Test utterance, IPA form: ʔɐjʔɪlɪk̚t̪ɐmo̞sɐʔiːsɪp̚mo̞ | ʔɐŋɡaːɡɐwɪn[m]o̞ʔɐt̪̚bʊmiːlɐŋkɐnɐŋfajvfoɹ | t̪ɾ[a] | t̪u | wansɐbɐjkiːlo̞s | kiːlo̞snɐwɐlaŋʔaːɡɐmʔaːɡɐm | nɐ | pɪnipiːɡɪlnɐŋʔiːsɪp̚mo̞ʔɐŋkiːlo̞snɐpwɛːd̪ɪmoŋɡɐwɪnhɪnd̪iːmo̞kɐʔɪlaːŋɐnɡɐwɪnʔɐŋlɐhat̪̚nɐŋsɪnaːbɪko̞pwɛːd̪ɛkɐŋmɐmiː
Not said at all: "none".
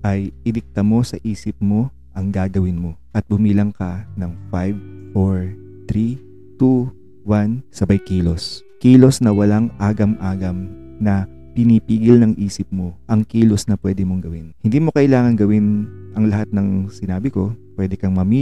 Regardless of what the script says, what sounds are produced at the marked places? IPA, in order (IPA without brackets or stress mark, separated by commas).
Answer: m, i